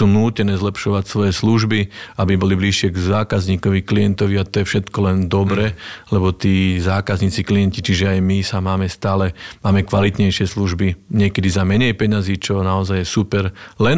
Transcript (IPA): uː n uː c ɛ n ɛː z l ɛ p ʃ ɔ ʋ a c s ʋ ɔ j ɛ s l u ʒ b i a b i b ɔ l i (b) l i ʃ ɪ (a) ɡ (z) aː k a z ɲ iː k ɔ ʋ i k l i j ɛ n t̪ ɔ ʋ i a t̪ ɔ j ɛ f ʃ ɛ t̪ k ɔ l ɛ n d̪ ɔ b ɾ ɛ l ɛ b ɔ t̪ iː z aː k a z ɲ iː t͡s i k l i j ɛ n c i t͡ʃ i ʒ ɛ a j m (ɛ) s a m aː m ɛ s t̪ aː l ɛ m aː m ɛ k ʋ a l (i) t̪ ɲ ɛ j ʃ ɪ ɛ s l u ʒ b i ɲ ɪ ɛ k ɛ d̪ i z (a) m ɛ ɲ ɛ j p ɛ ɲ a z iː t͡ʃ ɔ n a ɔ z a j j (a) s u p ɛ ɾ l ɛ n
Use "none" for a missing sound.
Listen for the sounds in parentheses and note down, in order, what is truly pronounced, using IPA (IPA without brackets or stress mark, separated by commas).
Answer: b, ɛ, z, i, i, a, ɛ